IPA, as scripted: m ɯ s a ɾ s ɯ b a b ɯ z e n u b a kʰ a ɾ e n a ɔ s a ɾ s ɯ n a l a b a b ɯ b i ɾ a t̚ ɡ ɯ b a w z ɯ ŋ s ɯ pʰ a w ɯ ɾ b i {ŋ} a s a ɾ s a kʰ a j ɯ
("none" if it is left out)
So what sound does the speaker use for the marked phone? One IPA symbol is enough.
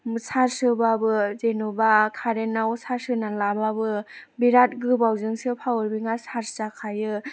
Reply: ŋ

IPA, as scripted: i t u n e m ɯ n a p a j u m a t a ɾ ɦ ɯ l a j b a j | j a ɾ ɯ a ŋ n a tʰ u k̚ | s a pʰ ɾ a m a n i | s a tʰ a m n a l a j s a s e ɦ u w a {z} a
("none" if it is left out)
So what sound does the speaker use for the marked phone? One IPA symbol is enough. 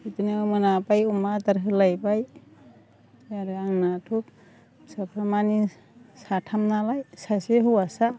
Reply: s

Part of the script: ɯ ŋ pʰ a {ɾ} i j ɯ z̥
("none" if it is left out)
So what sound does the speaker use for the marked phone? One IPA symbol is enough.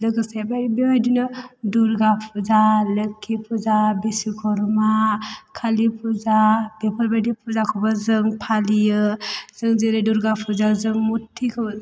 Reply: l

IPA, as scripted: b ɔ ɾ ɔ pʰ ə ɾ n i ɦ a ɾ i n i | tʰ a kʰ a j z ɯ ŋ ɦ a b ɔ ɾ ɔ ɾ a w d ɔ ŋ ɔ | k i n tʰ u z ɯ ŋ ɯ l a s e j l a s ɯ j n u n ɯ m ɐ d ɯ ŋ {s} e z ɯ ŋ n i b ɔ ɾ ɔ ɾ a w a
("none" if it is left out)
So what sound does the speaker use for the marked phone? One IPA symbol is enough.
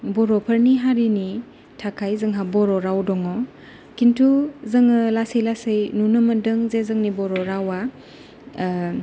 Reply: z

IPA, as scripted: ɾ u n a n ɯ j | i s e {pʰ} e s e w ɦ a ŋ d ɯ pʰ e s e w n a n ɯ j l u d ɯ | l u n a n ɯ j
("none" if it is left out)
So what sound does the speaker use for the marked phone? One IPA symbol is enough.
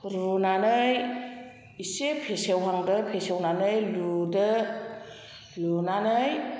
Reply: pʰ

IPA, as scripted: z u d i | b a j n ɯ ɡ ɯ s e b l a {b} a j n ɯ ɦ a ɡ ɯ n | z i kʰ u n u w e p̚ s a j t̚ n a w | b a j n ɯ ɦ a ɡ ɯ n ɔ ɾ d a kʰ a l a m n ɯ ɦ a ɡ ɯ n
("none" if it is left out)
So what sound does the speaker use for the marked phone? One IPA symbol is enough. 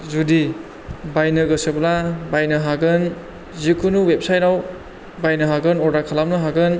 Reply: b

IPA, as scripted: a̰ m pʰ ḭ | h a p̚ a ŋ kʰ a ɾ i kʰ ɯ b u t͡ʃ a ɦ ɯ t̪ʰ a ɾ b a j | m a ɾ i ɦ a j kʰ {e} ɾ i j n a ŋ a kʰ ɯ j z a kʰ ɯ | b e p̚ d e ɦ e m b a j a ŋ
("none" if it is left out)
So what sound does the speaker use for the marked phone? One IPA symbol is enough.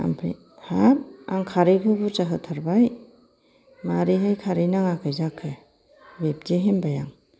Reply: a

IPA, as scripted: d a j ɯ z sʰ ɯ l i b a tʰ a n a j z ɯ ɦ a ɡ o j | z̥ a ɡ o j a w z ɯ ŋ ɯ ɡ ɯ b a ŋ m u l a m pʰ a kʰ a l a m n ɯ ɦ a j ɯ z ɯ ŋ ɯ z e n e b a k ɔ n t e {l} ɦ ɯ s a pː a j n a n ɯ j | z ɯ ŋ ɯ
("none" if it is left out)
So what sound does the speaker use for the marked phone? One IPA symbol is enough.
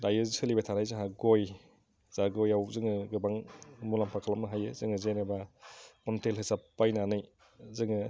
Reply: l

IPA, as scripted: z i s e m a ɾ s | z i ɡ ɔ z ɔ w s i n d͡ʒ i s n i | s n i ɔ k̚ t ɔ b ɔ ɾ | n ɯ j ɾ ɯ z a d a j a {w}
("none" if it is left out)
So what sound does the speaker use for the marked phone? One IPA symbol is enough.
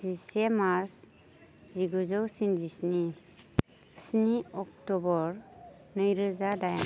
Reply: none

